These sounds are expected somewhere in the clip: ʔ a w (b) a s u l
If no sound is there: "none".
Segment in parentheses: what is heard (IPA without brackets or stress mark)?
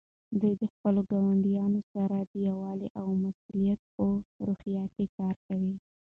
m